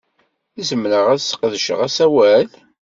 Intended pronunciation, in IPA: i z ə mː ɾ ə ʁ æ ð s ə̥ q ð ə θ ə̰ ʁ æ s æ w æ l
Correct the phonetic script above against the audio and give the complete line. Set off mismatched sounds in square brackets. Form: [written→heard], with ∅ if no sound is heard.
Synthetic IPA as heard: i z ə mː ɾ ə ʁ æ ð s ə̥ q ð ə [θ→ʃ] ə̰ ʁ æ s æ w æ l